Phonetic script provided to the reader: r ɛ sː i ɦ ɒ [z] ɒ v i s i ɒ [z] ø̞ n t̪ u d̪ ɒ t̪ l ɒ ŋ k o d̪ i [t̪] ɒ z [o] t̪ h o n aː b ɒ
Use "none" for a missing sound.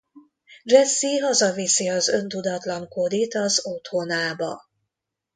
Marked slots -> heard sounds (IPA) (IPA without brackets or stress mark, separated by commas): z, z, t̪, o